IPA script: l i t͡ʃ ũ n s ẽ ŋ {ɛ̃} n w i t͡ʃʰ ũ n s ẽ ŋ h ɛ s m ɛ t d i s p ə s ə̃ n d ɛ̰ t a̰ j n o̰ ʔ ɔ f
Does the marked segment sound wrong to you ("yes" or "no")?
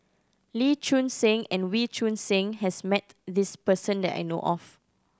no